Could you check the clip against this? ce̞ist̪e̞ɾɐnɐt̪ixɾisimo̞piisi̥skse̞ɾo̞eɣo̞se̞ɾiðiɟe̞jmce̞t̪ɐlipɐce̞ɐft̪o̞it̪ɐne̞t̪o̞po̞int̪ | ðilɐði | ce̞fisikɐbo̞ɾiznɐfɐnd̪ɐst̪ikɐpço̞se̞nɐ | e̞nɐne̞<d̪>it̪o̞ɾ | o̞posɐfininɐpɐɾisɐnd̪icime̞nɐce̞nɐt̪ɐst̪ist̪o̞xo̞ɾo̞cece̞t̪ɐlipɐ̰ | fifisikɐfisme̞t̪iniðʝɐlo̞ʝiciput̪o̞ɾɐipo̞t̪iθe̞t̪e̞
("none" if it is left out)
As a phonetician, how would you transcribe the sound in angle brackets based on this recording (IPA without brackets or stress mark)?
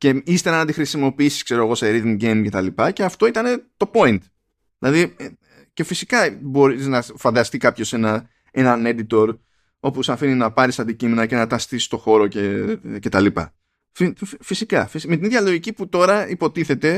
d̪